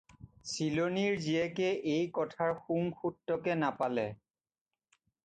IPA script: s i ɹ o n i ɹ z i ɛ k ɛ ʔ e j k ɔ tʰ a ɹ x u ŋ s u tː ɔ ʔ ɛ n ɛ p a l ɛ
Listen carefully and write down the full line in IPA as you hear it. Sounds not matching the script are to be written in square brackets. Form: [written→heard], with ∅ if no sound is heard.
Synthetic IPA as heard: s i [ɹ→l] o n i ɹ z i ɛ k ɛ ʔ e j k ɔ tʰ a ɹ x u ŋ [s→x] u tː ɔ [ʔ→k] ɛ n [ɛ→a] p a l ɛ